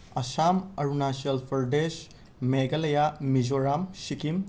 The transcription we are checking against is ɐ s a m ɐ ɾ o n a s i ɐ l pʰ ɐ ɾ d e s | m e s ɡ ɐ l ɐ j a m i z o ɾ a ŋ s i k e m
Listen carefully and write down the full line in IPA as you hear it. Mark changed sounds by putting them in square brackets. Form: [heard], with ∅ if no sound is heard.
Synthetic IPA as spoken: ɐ s a m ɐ ɾ [u] n a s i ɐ l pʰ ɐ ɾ d e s | m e [∅] ɡ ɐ l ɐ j a m i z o ɾ a [m] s i k [i] m